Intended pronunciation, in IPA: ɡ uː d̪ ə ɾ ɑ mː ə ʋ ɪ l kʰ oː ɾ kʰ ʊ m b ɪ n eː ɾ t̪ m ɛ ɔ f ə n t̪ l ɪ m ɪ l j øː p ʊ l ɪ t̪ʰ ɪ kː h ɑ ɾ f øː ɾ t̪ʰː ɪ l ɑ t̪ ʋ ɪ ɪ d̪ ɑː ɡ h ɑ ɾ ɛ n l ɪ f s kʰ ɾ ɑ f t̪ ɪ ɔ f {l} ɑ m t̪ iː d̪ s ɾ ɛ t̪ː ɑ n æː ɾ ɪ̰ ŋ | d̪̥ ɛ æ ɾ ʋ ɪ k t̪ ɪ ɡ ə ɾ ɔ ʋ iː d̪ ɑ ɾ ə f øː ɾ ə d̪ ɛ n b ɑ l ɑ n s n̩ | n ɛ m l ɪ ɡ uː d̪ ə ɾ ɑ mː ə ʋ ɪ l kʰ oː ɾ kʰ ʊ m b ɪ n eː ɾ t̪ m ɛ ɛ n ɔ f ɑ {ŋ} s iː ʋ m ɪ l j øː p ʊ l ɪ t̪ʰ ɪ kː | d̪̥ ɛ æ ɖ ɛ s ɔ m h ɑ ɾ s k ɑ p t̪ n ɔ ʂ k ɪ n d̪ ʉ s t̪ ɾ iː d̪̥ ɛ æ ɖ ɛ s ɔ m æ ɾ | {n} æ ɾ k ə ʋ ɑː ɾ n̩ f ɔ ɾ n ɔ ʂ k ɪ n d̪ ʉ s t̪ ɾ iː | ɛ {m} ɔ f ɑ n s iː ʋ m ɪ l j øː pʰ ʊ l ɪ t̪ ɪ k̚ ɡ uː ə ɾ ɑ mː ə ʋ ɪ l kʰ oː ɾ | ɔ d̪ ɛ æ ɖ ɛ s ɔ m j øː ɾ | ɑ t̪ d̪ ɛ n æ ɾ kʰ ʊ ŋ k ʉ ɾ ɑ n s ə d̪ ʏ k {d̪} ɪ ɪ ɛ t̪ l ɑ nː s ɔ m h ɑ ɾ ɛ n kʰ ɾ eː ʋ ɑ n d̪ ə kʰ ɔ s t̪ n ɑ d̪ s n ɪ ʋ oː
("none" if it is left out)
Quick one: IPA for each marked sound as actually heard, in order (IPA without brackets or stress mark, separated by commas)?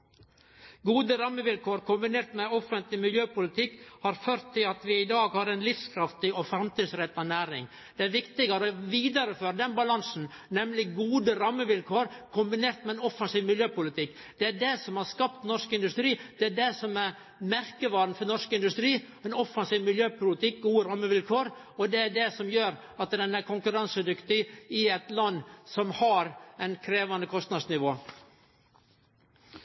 ɾ, n, m, n, t̪